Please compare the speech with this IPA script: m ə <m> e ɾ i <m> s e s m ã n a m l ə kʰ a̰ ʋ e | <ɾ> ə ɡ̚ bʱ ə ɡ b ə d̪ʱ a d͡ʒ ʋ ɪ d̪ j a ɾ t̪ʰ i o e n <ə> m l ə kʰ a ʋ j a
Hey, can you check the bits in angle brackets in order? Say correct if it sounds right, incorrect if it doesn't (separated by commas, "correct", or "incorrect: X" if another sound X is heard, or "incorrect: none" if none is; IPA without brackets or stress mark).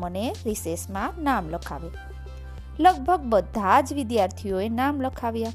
incorrect: n, incorrect: none, incorrect: l, incorrect: a